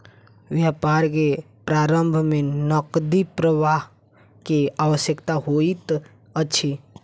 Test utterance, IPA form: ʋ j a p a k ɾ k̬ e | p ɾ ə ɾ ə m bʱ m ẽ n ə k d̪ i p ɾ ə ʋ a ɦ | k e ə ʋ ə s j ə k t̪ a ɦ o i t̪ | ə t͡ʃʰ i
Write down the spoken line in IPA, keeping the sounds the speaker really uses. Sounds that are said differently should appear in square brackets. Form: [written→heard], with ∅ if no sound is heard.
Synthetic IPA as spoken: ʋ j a p a [k→∅] ɾ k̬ e | p ɾ [ə→a] ɾ ə m bʱ m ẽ n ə k d̪ i p ɾ ə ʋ a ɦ | k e [ə→a] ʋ ə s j ə k t̪ a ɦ o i t̪ | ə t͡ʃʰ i